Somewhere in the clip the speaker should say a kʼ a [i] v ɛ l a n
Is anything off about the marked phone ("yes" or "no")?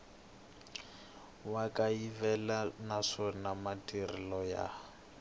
no